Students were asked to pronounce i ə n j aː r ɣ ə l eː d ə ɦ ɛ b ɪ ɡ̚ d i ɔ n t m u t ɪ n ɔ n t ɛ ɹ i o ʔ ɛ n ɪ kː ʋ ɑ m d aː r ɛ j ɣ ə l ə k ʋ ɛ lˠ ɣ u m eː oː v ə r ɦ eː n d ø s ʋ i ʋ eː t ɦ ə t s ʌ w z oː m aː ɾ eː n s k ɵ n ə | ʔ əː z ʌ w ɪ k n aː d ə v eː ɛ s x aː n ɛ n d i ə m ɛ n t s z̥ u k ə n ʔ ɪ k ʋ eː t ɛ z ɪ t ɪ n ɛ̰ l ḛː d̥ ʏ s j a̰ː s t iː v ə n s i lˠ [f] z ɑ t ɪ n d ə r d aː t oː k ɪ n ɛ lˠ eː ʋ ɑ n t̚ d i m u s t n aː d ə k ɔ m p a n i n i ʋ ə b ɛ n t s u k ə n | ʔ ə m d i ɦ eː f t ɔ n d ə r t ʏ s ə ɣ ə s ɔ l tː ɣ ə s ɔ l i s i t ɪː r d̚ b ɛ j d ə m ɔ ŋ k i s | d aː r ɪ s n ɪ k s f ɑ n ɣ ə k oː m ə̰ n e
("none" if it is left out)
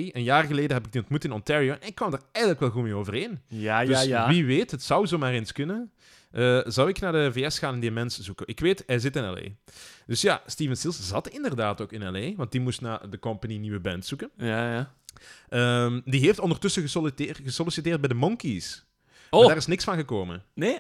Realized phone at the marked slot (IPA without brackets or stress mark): s